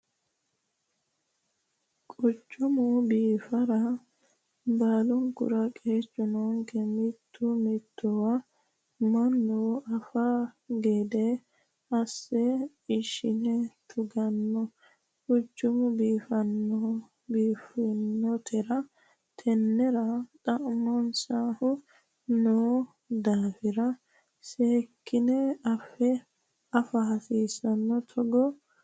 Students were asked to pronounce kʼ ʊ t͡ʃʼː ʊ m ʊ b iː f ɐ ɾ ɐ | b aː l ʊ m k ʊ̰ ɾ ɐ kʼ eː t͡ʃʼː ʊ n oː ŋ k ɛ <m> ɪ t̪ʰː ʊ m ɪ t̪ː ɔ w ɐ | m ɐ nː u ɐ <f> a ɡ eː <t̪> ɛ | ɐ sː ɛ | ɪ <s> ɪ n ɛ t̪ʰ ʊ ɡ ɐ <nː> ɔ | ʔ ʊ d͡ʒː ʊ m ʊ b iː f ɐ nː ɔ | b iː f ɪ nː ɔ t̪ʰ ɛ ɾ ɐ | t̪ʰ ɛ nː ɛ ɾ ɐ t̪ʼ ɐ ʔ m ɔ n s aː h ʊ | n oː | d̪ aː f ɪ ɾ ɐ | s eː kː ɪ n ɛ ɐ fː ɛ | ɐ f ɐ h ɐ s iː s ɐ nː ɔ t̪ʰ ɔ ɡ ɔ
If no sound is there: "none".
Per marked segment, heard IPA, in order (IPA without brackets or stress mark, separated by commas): m, f, d̪, ʃ, nː